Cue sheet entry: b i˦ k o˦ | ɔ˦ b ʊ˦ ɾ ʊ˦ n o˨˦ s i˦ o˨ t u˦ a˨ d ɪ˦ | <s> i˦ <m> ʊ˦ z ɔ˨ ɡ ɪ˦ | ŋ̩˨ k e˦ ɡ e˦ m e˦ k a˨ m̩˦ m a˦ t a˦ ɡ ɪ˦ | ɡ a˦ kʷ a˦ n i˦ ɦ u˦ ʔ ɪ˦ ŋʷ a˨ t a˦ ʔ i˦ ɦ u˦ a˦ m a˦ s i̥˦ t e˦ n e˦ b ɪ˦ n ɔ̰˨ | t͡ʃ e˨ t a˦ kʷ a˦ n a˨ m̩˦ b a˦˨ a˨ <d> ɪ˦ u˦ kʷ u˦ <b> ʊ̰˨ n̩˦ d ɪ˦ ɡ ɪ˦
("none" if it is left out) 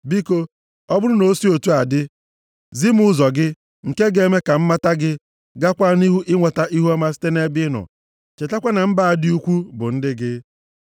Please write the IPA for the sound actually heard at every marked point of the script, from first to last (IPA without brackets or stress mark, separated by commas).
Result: z, m, d, b